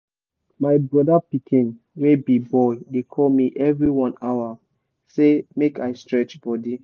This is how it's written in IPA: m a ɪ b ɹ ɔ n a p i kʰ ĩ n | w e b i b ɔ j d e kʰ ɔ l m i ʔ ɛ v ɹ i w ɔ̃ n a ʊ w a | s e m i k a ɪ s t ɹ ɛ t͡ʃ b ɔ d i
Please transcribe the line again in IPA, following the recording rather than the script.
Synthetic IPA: m a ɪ b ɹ ɔ d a p i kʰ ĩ n | w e b i b ɔ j d e kʰ ɔ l m i ʔ ɛ v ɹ i w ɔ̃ n a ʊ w a | s e m e k a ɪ s t ɹ ɛ t͡ʃ b ɔ d i